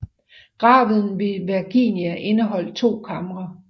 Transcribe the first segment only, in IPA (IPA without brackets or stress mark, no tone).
ɡ̥